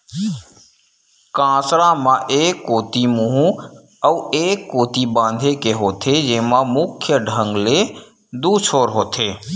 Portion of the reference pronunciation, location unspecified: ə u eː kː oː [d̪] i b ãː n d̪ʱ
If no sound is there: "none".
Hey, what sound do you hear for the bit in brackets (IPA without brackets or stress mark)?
t̪